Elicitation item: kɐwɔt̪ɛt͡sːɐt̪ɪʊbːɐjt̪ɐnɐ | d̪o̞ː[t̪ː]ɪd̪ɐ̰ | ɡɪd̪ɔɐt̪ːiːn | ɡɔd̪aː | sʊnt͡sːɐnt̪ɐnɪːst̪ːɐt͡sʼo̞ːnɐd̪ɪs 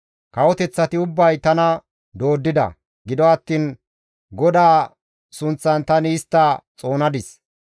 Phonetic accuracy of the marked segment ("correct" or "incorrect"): incorrect